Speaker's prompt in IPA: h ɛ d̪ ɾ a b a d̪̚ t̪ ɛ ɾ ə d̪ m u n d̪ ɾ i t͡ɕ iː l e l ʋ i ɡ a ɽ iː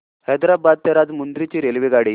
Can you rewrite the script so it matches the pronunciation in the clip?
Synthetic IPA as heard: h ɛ d̪ ɾ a b a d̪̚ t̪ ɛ ɾ a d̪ m u n d̪ ɾ i t͡ɕ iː ɾ e l ʋ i ɡ a ɽ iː